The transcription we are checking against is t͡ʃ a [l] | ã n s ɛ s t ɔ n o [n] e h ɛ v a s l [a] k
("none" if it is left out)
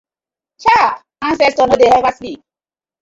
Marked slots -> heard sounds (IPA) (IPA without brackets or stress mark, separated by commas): none, d, i